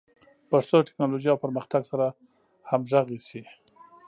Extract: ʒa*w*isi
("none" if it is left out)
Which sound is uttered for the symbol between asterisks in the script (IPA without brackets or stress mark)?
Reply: ɣ